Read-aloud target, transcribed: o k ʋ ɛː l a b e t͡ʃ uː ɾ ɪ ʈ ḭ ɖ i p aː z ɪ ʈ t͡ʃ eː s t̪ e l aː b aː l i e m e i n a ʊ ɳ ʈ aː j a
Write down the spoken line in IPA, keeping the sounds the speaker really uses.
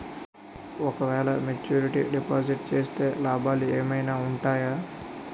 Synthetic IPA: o k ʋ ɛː l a m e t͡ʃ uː ɾ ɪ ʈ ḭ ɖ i p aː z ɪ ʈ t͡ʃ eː s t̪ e l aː b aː l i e m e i n a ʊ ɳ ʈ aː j a